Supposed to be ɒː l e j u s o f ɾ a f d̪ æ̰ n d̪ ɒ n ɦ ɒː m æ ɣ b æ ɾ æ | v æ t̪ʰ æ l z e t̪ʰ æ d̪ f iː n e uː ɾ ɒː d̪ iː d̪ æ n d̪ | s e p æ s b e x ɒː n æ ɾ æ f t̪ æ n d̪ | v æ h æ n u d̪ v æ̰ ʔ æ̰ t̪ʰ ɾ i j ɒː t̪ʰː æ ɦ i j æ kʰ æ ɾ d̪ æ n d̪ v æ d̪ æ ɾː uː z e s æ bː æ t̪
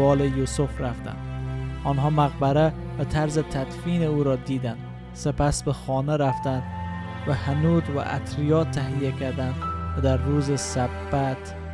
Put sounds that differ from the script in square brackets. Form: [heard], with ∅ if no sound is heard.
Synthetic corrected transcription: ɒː l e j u s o f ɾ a f [t̪] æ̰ n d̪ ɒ n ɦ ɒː m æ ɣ b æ ɾ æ | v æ t̪ʰ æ [ɾ] z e t̪ʰ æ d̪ f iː n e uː ɾ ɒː d̪ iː d̪ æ n d̪ | s e p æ s b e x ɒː n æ ɾ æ f t̪ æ n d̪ | v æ h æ n u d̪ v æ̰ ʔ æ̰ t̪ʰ ɾ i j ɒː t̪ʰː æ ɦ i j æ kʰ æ ɾ d̪ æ n d̪ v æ d̪ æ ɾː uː z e s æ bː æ t̪